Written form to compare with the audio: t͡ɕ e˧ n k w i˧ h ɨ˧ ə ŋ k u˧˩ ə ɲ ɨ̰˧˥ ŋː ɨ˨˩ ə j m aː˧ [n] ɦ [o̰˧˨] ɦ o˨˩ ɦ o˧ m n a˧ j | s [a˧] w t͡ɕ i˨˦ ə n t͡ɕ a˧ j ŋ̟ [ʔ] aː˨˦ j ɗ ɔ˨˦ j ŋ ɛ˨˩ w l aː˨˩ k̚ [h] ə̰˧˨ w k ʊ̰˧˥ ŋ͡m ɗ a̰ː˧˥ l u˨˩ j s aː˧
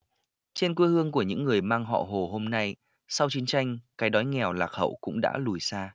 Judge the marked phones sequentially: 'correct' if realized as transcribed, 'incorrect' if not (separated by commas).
incorrect, incorrect, correct, incorrect, correct